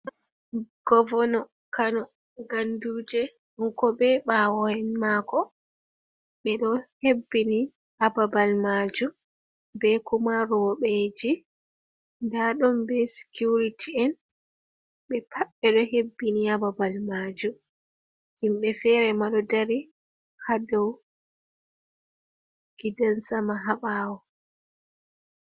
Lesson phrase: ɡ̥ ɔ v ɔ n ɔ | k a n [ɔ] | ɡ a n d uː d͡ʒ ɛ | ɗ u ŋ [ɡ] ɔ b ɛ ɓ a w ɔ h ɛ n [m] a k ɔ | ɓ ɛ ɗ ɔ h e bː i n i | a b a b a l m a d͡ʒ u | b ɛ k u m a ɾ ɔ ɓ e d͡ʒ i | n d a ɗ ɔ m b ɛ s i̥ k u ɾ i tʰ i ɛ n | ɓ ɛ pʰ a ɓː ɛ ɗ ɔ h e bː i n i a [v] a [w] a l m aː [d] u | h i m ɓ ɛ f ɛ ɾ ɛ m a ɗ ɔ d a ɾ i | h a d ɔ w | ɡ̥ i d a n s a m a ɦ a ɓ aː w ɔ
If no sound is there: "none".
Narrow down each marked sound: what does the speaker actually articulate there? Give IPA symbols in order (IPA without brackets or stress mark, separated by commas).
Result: ɔ, k, m, b, b, d͡ʒ